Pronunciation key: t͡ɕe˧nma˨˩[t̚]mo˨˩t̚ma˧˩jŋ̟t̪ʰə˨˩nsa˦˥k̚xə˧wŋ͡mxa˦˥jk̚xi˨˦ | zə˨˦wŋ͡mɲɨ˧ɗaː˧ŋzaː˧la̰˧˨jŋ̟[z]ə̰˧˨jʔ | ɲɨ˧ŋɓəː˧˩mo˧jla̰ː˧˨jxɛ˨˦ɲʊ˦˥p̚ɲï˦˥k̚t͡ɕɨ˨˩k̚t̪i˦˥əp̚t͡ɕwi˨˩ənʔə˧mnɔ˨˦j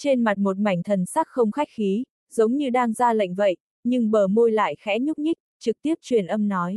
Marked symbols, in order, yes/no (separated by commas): yes, no